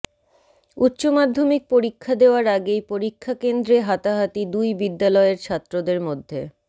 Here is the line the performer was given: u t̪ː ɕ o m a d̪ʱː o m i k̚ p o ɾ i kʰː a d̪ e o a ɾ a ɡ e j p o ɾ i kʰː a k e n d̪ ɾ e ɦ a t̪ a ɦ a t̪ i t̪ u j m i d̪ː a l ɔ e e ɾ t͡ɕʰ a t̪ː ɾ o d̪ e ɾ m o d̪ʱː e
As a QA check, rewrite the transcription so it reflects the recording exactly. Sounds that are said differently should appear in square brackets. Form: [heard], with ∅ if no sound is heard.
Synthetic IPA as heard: u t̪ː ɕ o m a d̪ʱː o m i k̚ p o ɾ i kʰː a d̪ e o a ɾ a ɡ e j p o ɾ i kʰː a k e n d̪ ɾ e ɦ a t̪ a ɦ a t̪ i [d̪] u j [b] i d̪ː a l ɔ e e ɾ t͡ɕʰ a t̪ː ɾ o d̪ e ɾ m o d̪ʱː e